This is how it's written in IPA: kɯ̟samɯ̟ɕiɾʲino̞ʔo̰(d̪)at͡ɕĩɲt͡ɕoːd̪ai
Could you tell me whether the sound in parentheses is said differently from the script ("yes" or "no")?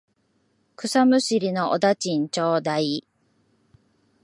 no